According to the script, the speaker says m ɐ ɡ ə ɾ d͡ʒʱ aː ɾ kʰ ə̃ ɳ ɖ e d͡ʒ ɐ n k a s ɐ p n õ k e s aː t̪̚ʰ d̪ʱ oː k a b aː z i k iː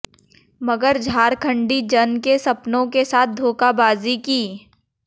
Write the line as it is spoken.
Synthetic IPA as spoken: m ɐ ɡ ə ɾ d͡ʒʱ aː ɾ kʰ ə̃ ɳ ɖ i d͡ʒ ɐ n k e s ɐ p n õ k e s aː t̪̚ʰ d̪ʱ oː k a b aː z i k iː